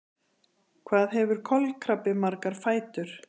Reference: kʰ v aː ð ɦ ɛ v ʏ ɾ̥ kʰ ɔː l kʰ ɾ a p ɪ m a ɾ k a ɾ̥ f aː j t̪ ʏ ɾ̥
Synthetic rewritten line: kʰ v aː ð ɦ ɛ v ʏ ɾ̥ kʰ ɔ l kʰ ɾ a p ɪ m a ɾ k a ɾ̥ f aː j t̪ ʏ ɾ̥